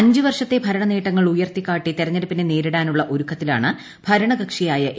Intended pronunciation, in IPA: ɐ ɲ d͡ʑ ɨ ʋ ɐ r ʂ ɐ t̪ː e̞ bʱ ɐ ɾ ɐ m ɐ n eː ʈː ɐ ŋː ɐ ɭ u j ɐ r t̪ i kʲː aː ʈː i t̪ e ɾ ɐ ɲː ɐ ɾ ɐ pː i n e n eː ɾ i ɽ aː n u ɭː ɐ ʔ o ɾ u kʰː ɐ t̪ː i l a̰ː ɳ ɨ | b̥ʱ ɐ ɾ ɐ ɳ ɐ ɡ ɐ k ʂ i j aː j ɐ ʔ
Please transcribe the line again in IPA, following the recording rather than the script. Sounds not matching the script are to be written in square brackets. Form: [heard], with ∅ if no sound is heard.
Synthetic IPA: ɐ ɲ d͡ʑ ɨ ʋ ɐ r ʂ ɐ t̪ː e̞ bʱ ɐ ɾ ɐ [ɳ] ɐ n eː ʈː ɐ ŋː ɐ ɭ u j ɐ r t̪ i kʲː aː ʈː i t̪ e ɾ ɐ ɲː ɐ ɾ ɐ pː i n e n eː ɾ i ɽ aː n u ɭː ɐ ʔ o ɾ u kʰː ɐ t̪ː i l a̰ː ɳ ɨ | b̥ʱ ɐ ɾ ɐ ɳ ɐ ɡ ɐ k ʂ i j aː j ɐ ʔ